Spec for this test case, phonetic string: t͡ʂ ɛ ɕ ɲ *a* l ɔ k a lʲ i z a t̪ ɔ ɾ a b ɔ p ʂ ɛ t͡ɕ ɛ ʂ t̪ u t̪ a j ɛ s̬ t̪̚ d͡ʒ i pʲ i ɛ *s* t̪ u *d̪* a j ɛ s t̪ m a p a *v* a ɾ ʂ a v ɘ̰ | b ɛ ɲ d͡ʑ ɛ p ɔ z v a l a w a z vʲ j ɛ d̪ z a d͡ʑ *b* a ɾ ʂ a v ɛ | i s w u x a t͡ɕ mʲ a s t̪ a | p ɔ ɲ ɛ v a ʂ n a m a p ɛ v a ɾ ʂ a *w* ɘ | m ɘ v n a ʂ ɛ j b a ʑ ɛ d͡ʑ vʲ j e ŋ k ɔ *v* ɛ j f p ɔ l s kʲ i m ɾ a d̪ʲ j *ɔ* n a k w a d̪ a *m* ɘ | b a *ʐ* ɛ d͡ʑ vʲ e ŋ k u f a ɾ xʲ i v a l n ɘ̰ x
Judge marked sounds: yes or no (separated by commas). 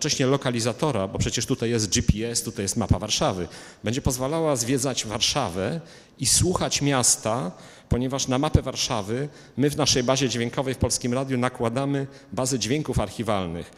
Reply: no, yes, no, yes, no, no, yes, no, yes, no